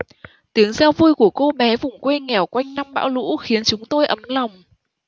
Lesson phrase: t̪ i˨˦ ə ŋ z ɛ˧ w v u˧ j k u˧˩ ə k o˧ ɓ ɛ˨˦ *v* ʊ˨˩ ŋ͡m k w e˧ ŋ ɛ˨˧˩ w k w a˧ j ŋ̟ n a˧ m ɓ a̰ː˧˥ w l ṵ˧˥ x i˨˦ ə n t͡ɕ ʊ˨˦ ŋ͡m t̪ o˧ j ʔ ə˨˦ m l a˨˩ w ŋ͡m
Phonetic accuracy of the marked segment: correct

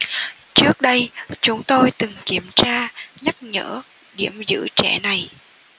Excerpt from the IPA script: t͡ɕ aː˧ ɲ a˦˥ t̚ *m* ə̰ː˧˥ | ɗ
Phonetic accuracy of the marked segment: incorrect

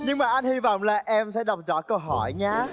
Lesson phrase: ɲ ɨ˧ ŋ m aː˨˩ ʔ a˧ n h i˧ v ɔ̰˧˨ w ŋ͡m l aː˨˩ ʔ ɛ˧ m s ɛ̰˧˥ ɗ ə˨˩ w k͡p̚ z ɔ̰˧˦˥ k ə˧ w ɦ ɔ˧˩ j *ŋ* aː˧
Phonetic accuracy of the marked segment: incorrect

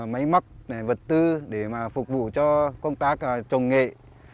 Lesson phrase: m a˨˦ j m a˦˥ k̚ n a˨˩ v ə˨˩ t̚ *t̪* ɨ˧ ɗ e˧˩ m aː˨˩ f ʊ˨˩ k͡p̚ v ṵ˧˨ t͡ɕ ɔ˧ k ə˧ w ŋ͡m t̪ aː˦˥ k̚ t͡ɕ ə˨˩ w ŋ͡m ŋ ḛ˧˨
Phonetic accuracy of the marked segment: correct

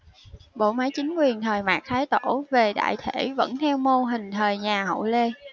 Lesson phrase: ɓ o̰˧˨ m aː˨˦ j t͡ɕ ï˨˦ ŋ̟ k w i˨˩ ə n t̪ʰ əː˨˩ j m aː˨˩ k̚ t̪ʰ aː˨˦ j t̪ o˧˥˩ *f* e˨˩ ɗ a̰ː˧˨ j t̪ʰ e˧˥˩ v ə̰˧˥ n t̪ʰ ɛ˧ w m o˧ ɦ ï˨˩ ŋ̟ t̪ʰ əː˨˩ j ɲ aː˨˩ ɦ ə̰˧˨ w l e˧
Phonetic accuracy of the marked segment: incorrect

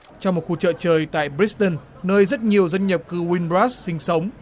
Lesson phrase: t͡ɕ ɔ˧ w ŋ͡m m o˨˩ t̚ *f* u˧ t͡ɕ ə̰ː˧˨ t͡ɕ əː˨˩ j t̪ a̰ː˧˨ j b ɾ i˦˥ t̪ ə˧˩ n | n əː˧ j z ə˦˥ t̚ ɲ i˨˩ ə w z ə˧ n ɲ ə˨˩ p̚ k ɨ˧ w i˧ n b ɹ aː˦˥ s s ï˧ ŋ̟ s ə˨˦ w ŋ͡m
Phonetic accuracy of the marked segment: incorrect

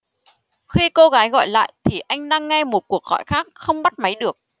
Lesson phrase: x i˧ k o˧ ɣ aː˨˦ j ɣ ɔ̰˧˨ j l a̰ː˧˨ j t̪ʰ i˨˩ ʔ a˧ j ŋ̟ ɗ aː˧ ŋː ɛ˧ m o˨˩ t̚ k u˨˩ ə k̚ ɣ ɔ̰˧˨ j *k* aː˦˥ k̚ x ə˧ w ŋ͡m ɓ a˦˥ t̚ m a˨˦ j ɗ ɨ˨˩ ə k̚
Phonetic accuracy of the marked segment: incorrect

